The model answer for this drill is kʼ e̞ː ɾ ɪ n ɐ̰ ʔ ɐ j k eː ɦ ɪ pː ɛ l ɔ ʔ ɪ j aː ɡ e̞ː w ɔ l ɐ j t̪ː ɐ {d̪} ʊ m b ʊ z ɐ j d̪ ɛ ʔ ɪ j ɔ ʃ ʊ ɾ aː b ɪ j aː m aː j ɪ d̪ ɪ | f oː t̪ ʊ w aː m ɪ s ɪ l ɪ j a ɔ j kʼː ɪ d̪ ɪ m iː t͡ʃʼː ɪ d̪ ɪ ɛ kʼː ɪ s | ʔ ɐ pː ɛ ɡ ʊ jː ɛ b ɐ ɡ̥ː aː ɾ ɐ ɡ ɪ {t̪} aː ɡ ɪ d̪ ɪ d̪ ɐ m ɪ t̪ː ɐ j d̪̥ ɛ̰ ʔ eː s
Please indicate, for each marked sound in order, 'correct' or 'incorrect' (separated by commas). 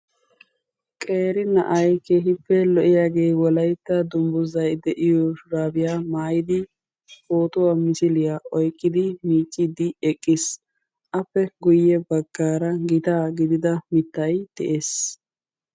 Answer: correct, correct